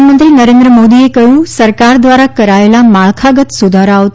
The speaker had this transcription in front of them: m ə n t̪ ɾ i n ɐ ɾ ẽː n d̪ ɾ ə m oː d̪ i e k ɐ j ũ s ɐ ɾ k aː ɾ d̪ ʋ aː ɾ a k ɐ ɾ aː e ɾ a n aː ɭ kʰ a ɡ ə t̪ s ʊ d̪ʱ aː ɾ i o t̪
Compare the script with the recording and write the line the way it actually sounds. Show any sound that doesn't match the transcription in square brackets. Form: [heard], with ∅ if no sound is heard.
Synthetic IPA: m ə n t̪ ɾ i n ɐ ɾ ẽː n d̪ ɾ ə m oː d̪ i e k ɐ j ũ s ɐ ɾ k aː ɾ d̪ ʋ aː ɾ a k ɐ ɾ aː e [l] a [m] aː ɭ kʰ a ɡ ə t̪ s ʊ d̪ʱ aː ɾ [a] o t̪